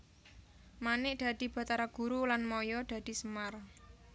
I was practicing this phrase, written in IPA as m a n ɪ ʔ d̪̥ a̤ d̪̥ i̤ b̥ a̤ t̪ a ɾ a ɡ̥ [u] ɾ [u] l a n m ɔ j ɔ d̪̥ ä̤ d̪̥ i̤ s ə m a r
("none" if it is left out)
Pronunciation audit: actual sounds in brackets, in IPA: u, u

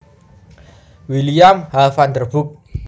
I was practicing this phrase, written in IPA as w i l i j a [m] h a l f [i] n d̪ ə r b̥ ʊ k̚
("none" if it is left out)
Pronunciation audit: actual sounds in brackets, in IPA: m, a

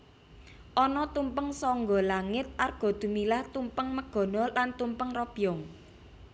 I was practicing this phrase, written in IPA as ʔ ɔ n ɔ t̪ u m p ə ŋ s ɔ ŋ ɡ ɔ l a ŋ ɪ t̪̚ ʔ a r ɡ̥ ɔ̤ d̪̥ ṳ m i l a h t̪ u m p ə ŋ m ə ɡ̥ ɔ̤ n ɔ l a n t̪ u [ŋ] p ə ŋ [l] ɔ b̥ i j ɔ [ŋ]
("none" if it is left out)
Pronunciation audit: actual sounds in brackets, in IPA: m, r, ŋ

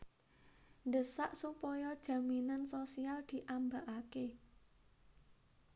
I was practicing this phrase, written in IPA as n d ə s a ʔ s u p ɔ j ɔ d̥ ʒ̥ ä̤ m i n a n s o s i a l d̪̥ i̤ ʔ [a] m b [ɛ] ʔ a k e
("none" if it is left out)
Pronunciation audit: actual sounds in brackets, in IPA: a, a

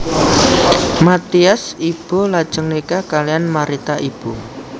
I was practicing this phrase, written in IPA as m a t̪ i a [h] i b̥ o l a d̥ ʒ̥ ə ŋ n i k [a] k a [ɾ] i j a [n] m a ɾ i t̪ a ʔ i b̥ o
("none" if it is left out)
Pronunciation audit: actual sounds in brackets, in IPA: s, a, l, n

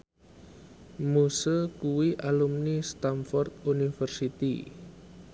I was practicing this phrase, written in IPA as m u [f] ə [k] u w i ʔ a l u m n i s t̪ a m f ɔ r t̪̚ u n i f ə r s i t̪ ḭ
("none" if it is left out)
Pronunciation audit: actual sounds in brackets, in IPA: s, k

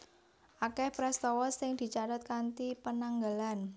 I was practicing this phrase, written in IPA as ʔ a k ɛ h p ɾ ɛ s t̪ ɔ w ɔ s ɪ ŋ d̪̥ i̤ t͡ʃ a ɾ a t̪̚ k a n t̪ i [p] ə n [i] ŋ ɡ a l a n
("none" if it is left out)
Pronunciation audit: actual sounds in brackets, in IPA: p, a

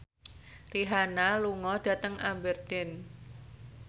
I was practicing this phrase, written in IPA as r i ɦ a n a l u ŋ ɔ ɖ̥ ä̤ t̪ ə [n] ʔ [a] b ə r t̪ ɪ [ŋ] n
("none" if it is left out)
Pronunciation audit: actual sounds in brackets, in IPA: ŋ, a, none

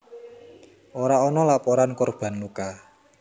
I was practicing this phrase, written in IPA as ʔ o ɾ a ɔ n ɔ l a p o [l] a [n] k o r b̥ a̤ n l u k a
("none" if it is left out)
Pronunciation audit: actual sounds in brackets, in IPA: ɾ, n

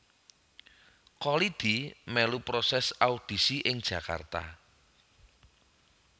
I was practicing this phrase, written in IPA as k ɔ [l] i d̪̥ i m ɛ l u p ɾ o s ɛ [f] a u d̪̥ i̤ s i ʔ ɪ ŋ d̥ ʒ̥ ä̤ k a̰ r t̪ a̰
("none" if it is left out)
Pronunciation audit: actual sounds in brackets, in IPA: l, s

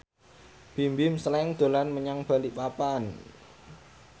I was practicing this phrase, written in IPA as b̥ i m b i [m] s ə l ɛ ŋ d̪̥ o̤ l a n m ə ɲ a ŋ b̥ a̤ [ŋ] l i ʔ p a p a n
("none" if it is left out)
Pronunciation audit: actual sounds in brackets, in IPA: m, none

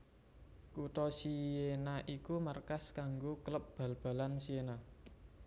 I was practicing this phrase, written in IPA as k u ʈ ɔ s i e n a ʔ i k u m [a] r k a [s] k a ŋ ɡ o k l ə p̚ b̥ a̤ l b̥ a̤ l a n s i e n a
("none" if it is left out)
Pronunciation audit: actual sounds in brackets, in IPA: a, s

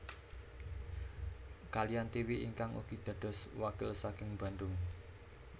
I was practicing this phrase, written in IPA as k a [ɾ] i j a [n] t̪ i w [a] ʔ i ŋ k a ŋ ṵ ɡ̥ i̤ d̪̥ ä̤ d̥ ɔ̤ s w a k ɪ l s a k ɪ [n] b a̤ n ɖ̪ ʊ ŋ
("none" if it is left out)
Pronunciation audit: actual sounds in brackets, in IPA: l, n, i, ŋ

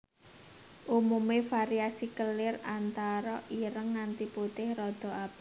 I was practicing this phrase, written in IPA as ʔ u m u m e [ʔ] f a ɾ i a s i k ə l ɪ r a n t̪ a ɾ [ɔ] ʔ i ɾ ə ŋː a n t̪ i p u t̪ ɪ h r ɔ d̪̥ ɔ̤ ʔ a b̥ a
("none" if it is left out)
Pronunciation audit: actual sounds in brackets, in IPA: none, ɔ

